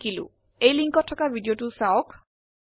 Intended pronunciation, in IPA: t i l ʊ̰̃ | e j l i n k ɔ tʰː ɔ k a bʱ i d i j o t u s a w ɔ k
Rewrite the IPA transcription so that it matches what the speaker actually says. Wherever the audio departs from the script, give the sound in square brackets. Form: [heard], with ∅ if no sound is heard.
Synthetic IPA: [k] i l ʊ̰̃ | e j l i [ŋ] k ɔ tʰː ɔ k a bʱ i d i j o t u s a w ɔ k